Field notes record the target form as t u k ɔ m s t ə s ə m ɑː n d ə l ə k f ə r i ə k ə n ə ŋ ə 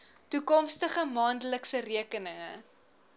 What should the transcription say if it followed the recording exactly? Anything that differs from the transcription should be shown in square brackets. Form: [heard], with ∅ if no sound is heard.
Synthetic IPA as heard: t u k ɔ m s t ə [χ] ə m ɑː n d ə l ə k [s] ə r i ə k ə n ə ŋ ə